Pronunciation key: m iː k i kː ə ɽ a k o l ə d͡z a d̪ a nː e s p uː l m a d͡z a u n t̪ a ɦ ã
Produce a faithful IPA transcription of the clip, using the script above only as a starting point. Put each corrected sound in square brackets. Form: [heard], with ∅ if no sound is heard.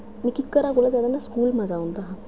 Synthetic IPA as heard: m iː k i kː ə [ɾ] a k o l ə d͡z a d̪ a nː [a] s [k] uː l m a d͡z a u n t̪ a ɦ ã